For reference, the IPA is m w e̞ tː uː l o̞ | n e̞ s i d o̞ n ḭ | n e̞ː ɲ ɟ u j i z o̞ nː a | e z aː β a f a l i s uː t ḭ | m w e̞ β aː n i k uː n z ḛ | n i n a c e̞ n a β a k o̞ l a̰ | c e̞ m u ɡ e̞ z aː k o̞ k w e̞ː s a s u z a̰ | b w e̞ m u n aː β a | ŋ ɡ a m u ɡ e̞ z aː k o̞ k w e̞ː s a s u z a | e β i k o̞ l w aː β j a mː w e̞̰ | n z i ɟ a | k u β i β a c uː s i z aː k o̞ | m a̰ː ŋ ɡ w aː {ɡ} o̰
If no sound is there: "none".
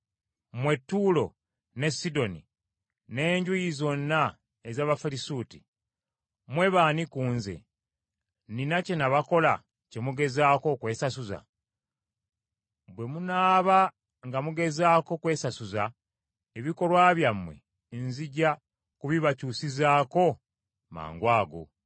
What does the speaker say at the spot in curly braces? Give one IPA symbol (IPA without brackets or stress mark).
ɡ